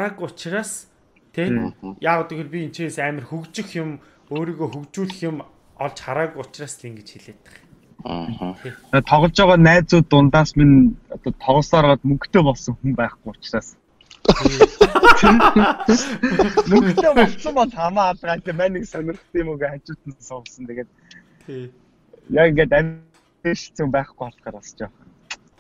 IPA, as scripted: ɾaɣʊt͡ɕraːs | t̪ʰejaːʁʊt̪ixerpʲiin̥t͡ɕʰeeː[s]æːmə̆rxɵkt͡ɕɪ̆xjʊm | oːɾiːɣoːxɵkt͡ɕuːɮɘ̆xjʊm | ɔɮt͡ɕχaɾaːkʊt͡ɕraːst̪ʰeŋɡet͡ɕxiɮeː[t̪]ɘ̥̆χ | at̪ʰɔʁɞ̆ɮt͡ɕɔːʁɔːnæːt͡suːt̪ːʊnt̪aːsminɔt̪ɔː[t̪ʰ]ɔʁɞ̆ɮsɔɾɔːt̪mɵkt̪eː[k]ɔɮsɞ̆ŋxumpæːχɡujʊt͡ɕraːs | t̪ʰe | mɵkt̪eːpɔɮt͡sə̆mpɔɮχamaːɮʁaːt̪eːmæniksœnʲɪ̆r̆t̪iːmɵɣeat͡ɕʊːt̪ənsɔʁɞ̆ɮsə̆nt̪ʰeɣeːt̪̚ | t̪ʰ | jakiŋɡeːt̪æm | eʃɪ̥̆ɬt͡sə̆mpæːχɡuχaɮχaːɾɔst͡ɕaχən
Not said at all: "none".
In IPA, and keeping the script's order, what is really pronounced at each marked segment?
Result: s, t̪, t̪ʰ, p

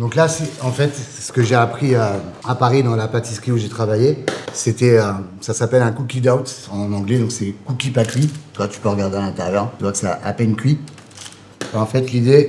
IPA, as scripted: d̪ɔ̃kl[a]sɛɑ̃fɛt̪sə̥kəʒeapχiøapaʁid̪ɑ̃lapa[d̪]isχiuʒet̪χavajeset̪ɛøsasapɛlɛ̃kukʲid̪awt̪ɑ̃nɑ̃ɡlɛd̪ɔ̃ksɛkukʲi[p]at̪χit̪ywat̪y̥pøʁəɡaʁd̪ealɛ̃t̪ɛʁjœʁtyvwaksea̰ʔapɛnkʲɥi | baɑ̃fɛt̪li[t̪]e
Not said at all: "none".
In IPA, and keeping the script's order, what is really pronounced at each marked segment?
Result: a, t̪, p, d̪

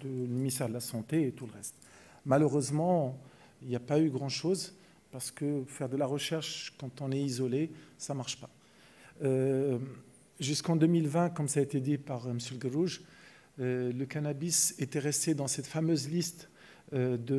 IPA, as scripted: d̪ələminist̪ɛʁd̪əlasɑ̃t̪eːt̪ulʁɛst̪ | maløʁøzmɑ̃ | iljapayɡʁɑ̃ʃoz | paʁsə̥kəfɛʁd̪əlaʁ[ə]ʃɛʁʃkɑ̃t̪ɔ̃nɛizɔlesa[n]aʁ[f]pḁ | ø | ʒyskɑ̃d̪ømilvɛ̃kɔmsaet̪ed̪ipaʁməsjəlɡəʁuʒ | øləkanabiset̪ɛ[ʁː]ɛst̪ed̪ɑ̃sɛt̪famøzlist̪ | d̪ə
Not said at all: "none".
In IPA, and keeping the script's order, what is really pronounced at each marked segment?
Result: ə, m, ʃ, ʁ

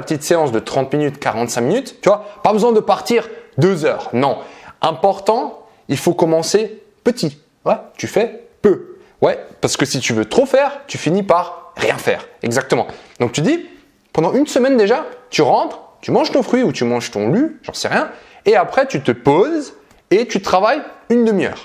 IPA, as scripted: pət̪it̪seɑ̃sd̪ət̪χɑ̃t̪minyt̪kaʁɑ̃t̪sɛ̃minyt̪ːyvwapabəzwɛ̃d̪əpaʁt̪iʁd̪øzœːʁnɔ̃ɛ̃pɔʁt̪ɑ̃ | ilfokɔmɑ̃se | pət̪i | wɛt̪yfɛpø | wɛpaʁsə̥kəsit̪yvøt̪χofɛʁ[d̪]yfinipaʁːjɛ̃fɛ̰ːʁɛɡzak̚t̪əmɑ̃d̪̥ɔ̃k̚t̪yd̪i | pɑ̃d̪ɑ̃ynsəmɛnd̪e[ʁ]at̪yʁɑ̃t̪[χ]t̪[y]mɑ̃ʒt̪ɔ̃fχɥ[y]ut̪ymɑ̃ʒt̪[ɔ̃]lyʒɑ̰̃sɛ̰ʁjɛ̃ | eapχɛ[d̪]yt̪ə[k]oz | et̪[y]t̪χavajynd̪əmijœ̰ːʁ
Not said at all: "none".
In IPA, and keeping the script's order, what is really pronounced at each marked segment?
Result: t̪, ʒ, χ, y, i, ɔ̃, t̪, p, y

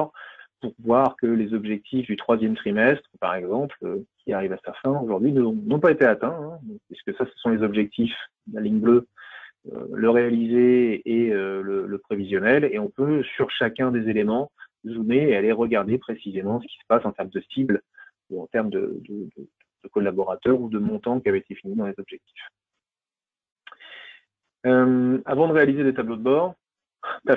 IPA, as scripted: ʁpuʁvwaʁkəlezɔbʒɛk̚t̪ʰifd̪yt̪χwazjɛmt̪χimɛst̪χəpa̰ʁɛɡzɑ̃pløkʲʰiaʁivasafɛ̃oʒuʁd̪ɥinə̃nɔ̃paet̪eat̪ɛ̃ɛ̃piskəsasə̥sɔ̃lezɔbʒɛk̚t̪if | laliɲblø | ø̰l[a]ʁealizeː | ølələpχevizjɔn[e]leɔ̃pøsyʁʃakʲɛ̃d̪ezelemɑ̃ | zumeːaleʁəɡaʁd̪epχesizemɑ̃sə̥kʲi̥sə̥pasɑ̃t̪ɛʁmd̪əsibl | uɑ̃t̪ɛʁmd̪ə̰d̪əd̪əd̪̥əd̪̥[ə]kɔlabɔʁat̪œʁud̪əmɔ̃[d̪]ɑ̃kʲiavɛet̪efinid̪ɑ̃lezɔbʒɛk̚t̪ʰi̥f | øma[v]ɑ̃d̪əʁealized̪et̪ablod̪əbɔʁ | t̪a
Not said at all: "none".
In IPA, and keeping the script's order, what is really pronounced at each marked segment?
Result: ə, ɛ, ə, t̪, v

